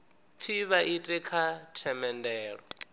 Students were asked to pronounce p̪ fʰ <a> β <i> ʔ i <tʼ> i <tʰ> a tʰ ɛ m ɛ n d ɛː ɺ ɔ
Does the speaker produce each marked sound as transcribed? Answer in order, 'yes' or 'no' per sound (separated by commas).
no, no, yes, no